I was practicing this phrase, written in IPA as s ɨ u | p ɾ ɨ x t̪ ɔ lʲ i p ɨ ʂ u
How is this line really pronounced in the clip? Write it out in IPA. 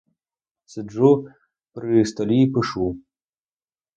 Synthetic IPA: s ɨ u | p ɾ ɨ s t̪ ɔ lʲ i p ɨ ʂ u